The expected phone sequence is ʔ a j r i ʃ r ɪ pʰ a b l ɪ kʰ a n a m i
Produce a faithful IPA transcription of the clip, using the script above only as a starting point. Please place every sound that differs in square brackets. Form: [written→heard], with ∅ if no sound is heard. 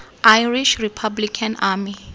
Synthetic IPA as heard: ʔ a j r i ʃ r [ɪ→i] pʰ a b l [ɪ→i] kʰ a n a m i